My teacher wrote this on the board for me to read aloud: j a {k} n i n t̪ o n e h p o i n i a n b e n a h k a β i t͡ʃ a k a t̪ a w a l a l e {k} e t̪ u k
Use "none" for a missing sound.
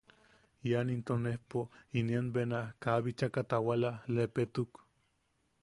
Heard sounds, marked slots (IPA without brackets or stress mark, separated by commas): none, p